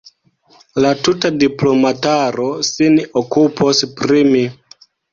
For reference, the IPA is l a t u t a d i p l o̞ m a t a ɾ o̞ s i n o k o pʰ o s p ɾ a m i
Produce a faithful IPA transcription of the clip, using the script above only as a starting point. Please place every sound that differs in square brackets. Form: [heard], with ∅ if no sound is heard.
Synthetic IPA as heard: l a t u t a d i p l o̞ m a t a ɾ o̞ s i n o k [u] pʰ o s p ɾ [i] m i